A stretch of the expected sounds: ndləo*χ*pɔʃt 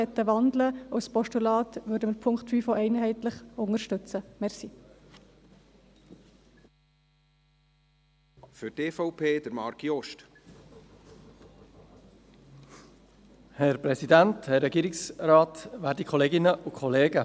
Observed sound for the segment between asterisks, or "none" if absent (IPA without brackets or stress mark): s